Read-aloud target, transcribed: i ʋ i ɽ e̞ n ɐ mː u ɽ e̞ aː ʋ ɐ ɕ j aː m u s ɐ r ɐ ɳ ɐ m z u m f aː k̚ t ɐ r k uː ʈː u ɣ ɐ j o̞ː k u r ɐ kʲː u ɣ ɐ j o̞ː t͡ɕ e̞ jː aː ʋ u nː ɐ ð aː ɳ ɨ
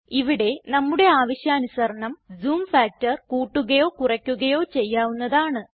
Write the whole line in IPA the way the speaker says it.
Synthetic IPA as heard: i ʋ i ɽ e̞ n ɐ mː u ɽ e̞ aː ʋ ɐ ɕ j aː n u s ɐ r ɐ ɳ ɐ m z uː m f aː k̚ t ɐ r k uː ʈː u ɣ ɐ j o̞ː k u r ɐ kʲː u ɣ ɐ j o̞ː t͡ɕ e̞ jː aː ʋ u nː ɐ ð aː ɳ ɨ